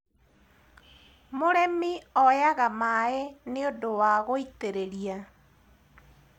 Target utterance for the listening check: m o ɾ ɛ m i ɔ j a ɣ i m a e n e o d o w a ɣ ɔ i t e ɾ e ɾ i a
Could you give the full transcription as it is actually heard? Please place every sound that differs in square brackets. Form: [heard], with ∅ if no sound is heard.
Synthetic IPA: m o ɾ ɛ m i ɔ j a ɣ [a] m a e n e o d o w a ɣ [o] i t e ɾ e ɾ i a

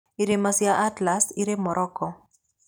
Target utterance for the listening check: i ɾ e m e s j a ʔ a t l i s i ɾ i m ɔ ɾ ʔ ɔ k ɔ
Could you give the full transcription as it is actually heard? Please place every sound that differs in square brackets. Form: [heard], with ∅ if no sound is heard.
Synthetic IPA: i ɾ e m [a] s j a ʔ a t l [a] s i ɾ [e] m ɔ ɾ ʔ ɔ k ɔ

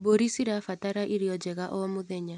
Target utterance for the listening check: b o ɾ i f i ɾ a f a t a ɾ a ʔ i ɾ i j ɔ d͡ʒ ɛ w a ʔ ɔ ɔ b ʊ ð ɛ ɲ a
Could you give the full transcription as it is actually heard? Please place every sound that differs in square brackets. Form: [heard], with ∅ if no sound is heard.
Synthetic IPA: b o ɾ i [s] i ɾ a f a t a ɾ a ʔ i ɾ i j ɔ d͡ʒ ɛ [ɣ] a ʔ ɔ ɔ [m] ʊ ð ɛ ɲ a

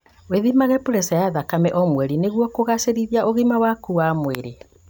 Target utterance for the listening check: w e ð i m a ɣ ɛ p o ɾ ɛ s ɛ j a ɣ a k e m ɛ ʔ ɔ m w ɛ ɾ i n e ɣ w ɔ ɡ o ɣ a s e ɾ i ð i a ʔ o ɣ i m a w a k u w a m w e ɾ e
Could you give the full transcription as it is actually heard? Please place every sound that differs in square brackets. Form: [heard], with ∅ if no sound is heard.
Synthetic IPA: w e ð i m a ɣ ɛ p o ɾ ɛ s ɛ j a [ð] a k [a] m ɛ ʔ ɔ m w ɛ ɾ i n e ɣ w ɔ [k] o ɣ a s e ɾ i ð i a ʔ o ɣ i m a w a k u w a m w e ɾ e

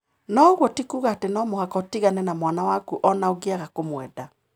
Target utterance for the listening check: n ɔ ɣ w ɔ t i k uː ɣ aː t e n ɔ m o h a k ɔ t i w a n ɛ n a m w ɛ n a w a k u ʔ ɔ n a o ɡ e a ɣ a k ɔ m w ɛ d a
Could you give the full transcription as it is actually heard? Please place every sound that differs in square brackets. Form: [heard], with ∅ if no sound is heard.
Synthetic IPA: n ɔ ɣ w ɔ t i k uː ɣ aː t e n ɔ m o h a k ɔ t i [ɣ] a n ɛ n a m w [a] n a w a k u ʔ ɔ n a o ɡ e a ɣ a k [o] m w ɛ d a

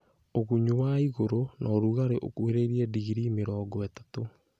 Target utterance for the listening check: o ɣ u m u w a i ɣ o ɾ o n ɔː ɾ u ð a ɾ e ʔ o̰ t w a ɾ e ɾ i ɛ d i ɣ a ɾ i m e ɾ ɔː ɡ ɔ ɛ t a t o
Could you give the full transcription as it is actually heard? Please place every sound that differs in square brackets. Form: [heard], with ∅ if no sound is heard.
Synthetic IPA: o ɣ u [ɲ] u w a i ɣ o ɾ o n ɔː ɾ u [ɣ] a ɾ e ʔ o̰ [k] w [e] ɾ e ɾ i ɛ d i ɣ [i] ɾ i m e ɾ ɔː ɡ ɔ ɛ t a t o

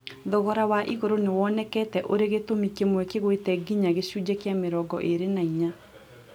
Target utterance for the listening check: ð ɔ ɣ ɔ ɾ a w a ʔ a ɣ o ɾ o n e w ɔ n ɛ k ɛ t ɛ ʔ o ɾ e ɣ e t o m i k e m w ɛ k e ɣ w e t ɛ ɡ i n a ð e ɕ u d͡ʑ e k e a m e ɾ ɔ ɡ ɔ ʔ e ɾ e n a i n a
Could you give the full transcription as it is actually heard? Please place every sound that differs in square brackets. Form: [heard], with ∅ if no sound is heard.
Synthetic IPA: ð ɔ ɣ ɔ ɾ a w a ʔ [i] ɣ o ɾ o n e w ɔ n ɛ k ɛ t ɛ ʔ o ɾ e ɣ e t o m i k e m w ɛ k e ɣ w e t ɛ ɡ i [ɲ] a [ɣ] e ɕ u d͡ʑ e k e a m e ɾ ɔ ɡ ɔ ʔ e ɾ e n a i [ɲ] a

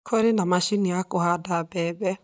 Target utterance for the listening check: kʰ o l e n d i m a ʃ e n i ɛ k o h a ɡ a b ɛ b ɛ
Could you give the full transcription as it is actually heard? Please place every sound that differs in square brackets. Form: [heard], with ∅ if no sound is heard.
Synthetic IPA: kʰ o [ɾ] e n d [a] m a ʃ [i] n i [a] k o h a [d] a b ɛ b ɛ

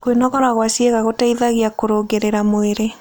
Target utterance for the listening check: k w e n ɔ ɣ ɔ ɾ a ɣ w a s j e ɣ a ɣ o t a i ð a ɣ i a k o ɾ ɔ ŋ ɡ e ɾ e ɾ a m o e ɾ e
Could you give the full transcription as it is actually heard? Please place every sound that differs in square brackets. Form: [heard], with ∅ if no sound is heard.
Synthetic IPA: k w e n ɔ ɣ ɔ ɾ a ɣ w a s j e ɣ a ɣ o t a i ð a ɣ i a k o ɾ [o] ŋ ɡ e ɾ e ɾ a m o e ɾ e

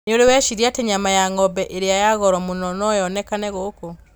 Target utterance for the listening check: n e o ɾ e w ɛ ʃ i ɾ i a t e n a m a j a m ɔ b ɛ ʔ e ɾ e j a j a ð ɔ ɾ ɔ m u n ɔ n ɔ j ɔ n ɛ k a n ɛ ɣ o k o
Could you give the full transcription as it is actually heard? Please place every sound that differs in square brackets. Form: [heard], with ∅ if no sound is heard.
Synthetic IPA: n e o ɾ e w ɛ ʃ i ɾ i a t e [ɲ] a m a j a [ŋ] ɔ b ɛ ʔ e ɾ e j a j a [ɣ] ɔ ɾ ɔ m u n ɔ n ɔ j ɔ n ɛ k a n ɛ ɣ o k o

